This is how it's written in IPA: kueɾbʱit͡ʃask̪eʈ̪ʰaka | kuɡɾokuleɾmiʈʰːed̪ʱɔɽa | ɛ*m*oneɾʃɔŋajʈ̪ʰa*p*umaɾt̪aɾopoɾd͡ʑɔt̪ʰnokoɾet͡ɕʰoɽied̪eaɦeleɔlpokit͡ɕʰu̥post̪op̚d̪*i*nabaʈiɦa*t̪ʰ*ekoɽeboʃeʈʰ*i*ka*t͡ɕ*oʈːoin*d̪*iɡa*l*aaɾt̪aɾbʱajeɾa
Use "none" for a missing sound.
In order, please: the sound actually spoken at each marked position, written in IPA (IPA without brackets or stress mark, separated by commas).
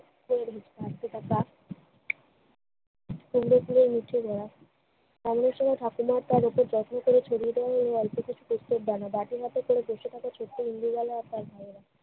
m, k, a, t̪, a, t͡ɕʰ, d̪, l